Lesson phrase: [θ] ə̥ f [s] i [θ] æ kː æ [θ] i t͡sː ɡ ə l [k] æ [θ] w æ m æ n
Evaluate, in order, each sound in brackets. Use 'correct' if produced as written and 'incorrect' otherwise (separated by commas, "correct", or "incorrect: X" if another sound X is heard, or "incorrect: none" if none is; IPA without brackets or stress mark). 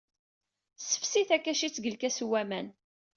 incorrect: s, correct, correct, incorrect: ʃ, correct, incorrect: s